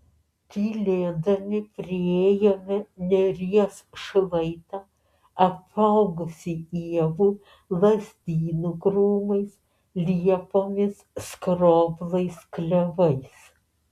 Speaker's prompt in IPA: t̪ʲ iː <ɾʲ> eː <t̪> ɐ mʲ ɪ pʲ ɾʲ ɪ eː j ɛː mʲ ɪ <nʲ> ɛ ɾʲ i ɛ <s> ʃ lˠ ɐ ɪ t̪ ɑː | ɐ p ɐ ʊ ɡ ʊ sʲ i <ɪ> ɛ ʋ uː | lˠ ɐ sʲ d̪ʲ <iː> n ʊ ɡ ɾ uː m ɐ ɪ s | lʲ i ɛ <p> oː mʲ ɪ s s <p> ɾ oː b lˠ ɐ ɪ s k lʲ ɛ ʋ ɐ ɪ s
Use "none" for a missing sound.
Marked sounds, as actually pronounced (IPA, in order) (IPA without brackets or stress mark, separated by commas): lʲ, d̪, nʲ, s, i, iː, p, k